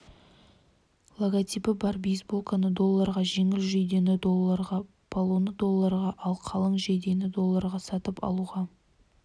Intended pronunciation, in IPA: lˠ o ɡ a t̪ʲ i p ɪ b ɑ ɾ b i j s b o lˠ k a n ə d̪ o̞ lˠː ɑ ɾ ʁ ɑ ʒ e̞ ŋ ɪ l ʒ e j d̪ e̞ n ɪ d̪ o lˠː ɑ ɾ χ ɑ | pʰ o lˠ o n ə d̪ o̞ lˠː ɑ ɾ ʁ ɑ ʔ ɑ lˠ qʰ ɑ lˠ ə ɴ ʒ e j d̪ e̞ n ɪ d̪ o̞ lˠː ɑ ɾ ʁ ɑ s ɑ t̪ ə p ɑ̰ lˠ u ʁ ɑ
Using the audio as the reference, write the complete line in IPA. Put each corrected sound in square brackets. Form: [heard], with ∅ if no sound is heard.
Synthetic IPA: lˠ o ɡ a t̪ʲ i p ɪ b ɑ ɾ b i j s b o lˠ k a n ə d̪ o̞ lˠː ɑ ɾ ʁ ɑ ʒ e̞ ŋ ɪ l ʒ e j d̪ e̞ n ɪ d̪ o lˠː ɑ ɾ [ʁ] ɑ | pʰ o lˠ o n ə d̪ o̞ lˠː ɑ ɾ ʁ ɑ ʔ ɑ lˠ qʰ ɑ lˠ ə ɴ ʒ e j d̪ e̞ n ɪ d̪ o̞ lˠː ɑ ɾ ʁ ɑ s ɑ t̪ ə p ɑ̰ lˠ u ʁ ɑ

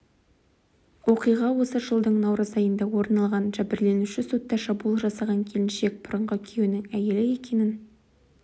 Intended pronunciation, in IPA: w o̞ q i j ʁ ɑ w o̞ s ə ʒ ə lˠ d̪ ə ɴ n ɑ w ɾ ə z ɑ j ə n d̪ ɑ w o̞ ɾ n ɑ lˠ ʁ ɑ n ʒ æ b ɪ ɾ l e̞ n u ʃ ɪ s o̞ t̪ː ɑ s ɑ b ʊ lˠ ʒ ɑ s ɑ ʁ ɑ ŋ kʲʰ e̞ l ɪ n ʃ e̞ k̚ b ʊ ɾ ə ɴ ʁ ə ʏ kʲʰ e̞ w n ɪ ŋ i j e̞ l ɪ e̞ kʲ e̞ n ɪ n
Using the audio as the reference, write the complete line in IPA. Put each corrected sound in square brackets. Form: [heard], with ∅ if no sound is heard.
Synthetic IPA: w o̞ q i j ʁ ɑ w o̞ s ə ʒ ə lˠ d̪ ə ɴ n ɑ w ɾ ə z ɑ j ə n d̪ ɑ w o̞ ɾ n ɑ lˠ ʁ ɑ n ʒ æ b ɪ ɾ l e̞ n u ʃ ɪ s o̞ t̪ː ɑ [ʃ] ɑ b [u] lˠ ʒ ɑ s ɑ ʁ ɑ ŋ kʲʰ e̞ l ɪ n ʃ e̞ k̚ b ʊ ɾ ə ɴ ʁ ə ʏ kʲʰ e̞ w n ɪ ŋ [æ] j e̞ l ɪ e̞ kʲ e̞ n ɪ n

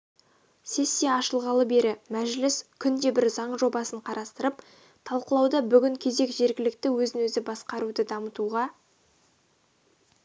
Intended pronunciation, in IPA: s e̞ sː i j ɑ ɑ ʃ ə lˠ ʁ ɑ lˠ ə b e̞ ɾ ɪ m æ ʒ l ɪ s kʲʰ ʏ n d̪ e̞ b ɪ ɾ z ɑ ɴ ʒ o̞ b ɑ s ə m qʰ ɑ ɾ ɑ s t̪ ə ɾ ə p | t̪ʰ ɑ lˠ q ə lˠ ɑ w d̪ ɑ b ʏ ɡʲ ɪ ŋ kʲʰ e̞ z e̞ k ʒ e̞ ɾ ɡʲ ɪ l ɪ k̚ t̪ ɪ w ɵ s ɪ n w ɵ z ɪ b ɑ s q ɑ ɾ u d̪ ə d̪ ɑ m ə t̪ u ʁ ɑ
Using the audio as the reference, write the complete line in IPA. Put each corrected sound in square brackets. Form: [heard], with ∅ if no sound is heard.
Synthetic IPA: s e̞ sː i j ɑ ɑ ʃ ə lˠ ʁ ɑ lˠ ə b e̞ ɾ ɪ m æ ʒ l ɪ s kʲʰ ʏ n d̪ e̞ b ɪ ɾ z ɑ ɴ ʒ o̞ b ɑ s ə [ɴ] qʰ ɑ ɾ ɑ s t̪ ə ɾ ə p | t̪ʰ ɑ lˠ q ə lˠ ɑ w d̪ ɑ b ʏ ɡʲ ɪ ŋ kʲʰ e̞ z e̞ k ʒ e̞ ɾ ɡʲ ɪ l ɪ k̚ t̪ ɪ w ɵ [z] ɪ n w ɵ z ɪ b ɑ s q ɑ ɾ u d̪ ə d̪ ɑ m ə t̪ u ʁ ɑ

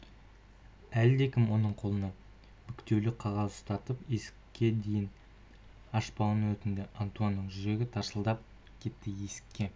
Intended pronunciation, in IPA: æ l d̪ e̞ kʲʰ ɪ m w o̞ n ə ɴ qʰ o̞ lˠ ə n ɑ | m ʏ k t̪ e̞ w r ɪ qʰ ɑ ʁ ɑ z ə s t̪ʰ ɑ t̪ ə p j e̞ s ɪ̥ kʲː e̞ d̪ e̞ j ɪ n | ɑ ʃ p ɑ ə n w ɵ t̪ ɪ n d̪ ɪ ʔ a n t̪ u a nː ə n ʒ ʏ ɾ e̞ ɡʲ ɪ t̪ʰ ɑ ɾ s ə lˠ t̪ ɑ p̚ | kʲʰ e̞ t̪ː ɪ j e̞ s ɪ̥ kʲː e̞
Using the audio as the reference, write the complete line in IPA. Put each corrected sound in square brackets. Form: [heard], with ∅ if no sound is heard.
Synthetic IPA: æ l d̪ e̞ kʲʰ ɪ m w o̞ n ə ɴ qʰ o̞ lˠ ə n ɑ | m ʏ k t̪ e̞ w [l] ɪ qʰ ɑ ʁ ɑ z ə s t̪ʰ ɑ t̪ ə p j e̞ s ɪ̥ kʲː e̞ d̪ e̞ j ɪ n | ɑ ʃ p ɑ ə n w ɵ t̪ ɪ n d̪ ɪ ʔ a n t̪ u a nː ə [ɴ] ʒ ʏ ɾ e̞ ɡʲ ɪ t̪ʰ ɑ ɾ s ə lˠ [d̪] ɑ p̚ | kʲʰ e̞ t̪ː ɪ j e̞ s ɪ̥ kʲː e̞

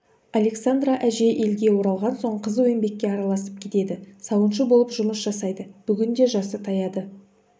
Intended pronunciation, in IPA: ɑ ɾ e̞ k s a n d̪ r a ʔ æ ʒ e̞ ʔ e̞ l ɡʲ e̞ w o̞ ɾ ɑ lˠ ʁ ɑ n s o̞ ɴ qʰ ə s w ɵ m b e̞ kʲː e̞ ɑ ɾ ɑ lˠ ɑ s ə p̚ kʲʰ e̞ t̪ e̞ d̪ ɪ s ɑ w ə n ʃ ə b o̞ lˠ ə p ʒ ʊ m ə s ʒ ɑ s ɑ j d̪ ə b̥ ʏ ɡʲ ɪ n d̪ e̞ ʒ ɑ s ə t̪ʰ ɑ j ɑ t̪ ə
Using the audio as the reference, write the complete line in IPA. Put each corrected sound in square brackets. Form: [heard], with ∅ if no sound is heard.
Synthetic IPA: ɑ [l] e̞ k s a n d̪ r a ʔ æ ʒ e̞ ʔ e̞ l ɡʲ e̞ w o̞ ɾ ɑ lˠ ʁ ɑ n s o̞ ɴ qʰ ə [z] w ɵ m b e̞ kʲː e̞ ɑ ɾ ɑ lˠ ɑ s ə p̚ kʲʰ e̞ t̪ e̞ d̪ ɪ s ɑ w ə n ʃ ə b o̞ lˠ ə p ʒ ʊ m ə s ʒ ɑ s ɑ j d̪ ə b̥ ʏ ɡʲ ɪ n d̪ e̞ ʒ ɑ s ə t̪ʰ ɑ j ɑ [d̪] ə

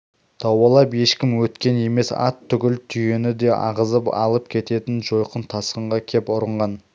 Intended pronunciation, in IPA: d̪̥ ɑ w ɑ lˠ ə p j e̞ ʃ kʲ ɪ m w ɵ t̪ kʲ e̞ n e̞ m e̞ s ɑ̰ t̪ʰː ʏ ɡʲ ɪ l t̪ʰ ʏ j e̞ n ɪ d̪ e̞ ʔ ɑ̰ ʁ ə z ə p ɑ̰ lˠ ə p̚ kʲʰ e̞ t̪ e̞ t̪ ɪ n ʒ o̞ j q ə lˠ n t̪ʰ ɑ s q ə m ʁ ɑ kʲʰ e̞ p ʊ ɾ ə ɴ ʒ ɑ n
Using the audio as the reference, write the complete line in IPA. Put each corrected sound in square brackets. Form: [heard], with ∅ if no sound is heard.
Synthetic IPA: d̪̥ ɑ w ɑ lˠ [ɑ] p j e̞ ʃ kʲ ɪ m w ɵ t̪ kʲ e̞ n e̞ m e̞ s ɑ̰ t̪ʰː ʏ ɡʲ ɪ l t̪ʰ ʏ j e̞ n ɪ d̪ e̞ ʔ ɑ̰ ʁ ə z ə p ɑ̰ lˠ ə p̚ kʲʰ e̞ t̪ e̞ t̪ ɪ n ʒ o̞ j q ə [∅] n t̪ʰ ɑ s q ə [ɴ] ʁ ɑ kʲʰ e̞ p ʊ ɾ ə ɴ [ʁ] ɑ n

